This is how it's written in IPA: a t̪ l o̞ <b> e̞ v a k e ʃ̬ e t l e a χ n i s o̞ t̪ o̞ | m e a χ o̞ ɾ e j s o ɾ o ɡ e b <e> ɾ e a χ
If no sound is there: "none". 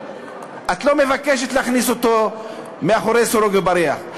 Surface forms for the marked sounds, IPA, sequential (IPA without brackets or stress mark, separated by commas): m, a